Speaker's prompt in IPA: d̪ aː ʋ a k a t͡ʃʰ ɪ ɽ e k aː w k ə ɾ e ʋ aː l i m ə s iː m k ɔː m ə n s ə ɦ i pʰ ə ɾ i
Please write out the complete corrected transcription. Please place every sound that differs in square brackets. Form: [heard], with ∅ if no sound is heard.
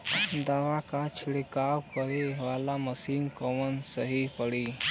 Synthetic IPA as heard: d̪ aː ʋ a k a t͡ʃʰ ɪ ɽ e k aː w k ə ɾ e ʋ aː l [a] m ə s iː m k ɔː m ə n s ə ɦ i [p] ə [ɽ] i